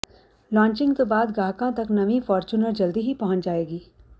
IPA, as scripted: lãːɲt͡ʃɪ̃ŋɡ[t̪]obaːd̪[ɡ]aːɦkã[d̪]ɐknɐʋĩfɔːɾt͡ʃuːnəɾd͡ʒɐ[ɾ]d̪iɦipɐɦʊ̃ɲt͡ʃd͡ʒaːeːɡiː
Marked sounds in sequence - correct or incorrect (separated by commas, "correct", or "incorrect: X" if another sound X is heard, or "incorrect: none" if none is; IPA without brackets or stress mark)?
correct, correct, incorrect: t̪, incorrect: l